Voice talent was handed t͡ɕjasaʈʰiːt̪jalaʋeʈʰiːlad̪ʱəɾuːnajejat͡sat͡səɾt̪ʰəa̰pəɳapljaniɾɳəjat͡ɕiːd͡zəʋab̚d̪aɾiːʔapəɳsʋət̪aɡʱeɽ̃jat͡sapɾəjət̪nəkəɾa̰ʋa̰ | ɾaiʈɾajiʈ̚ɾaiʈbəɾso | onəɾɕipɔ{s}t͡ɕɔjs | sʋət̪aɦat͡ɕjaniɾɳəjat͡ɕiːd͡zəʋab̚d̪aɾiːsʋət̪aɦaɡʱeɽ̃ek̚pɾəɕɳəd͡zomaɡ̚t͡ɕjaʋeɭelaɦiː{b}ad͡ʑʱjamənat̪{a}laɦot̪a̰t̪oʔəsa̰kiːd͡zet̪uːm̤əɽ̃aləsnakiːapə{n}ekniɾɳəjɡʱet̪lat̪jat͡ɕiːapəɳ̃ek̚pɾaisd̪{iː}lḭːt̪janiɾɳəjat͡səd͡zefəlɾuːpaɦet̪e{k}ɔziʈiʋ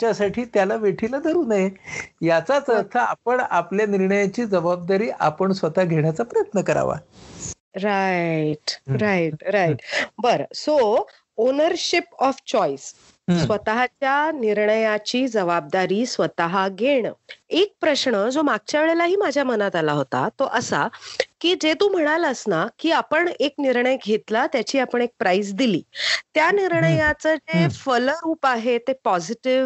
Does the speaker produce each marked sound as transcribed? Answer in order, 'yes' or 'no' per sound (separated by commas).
no, no, yes, no, no, no